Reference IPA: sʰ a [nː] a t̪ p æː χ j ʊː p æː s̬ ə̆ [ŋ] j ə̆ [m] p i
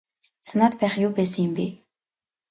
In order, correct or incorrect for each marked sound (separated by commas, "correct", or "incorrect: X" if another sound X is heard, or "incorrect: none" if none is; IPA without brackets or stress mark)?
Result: incorrect: n, correct, correct